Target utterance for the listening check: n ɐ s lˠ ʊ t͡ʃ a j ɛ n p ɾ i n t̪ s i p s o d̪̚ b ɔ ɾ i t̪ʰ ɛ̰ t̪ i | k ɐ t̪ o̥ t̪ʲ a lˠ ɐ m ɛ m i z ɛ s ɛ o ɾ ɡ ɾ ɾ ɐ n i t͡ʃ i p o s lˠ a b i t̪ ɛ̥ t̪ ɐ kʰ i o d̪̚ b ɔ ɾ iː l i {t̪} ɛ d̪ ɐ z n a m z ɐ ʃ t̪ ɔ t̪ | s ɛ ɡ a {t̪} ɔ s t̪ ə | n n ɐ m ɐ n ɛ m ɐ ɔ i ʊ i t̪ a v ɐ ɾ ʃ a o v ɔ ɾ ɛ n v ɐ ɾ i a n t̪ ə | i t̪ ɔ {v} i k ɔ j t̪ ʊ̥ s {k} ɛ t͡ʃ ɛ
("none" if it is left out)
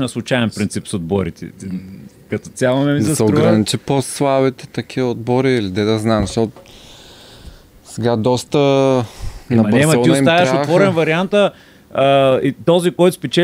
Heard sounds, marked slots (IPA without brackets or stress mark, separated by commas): d̪, d̪, z, p